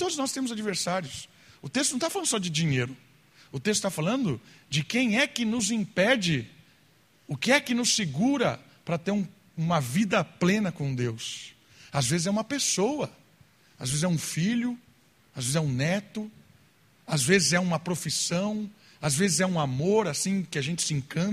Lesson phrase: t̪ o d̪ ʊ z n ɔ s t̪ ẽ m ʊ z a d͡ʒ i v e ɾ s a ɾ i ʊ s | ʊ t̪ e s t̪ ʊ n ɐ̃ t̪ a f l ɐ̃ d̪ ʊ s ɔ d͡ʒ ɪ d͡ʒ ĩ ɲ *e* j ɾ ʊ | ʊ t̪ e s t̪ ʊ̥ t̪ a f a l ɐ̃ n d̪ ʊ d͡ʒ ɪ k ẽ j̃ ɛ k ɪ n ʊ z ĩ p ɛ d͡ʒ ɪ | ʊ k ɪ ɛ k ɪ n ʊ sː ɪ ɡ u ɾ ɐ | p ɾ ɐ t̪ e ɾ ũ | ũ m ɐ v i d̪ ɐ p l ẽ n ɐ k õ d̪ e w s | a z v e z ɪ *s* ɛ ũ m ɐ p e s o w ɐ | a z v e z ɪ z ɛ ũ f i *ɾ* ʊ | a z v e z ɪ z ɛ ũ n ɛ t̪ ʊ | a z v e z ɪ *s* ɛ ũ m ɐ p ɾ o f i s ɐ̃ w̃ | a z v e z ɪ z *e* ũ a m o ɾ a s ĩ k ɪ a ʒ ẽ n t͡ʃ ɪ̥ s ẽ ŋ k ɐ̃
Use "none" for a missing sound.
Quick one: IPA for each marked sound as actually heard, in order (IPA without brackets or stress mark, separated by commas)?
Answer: e, z, ʎ, z, ɛ